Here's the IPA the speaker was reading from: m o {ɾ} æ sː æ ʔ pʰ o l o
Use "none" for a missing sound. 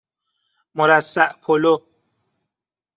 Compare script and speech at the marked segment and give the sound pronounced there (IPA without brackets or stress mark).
ɾ